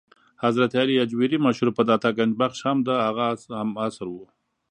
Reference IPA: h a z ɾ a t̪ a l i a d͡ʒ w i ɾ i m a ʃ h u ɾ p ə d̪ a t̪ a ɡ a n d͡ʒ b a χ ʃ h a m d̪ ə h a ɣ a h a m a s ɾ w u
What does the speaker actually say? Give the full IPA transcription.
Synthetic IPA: h a z ɾ a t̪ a l i a d͡ʒ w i ɾ i m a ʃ h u ɾ p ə d̪ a t̪ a ɡ a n d͡ʒ b a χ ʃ h a m d̪ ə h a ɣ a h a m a s ɾ w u